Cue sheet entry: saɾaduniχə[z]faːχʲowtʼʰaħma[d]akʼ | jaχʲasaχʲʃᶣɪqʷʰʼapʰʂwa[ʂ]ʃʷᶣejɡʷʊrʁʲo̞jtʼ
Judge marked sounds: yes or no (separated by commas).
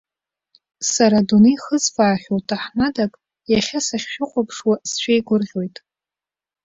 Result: yes, yes, no